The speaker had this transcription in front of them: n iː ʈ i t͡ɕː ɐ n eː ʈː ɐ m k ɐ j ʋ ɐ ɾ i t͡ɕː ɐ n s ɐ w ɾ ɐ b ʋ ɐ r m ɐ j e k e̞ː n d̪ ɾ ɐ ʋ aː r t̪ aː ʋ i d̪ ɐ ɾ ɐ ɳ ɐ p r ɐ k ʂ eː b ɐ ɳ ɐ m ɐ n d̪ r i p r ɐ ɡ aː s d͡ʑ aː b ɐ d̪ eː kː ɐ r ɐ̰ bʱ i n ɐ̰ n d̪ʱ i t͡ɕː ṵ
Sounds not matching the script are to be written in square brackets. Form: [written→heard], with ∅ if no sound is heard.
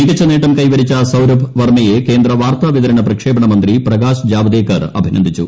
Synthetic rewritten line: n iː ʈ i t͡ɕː ɐ n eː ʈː ɐ m k ɐ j ʋ ɐ ɾ i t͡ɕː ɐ [n→∅] s ɐ w ɾ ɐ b ʋ ɐ r m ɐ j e k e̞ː n d̪ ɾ ɐ ʋ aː r t̪ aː ʋ i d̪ ɐ ɾ ɐ ɳ ɐ p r ɐ k ʂ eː b ɐ ɳ ɐ m ɐ n d̪ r i p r ɐ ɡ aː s d͡ʑ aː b ɐ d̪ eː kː ɐ r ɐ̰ bʱ i n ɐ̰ n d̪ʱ i t͡ɕː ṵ